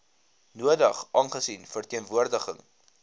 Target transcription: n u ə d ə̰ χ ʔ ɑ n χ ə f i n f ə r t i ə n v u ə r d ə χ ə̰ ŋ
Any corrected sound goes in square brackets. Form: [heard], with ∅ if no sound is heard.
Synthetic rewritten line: n u ə d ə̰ χ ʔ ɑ n χ ə [s] i n f ə r t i ə n v u ə r d ə χ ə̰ ŋ